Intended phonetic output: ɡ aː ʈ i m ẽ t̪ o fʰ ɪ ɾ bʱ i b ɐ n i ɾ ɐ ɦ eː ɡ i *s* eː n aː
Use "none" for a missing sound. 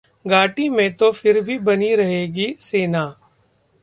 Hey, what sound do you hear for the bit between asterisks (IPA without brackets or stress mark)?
s